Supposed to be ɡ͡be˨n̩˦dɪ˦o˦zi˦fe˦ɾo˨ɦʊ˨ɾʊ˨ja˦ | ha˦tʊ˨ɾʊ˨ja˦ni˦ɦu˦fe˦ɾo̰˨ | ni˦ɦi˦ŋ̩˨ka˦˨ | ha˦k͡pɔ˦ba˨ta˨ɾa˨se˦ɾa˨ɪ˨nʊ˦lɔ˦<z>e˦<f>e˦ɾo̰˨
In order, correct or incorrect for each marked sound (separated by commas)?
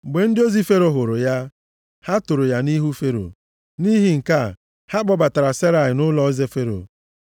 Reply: correct, correct